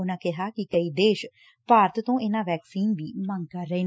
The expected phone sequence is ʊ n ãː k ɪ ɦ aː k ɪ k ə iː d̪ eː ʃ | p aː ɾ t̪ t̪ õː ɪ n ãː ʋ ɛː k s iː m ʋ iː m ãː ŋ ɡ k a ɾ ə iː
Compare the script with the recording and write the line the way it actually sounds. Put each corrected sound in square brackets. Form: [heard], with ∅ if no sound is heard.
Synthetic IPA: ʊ n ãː k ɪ ɦ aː k ɪ k ə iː d̪ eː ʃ | p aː ɾ t̪ t̪ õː ɪ n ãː ʋ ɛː k s iː [n] ʋ iː m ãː ŋ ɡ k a ɾ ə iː